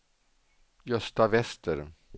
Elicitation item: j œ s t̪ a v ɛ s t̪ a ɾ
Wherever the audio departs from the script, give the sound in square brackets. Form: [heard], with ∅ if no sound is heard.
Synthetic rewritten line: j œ s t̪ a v ɛ s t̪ [ə] ɾ